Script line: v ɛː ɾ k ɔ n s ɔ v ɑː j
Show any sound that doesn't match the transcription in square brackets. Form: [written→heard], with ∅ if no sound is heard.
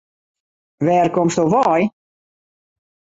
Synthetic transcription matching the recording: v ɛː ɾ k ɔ [n→m] s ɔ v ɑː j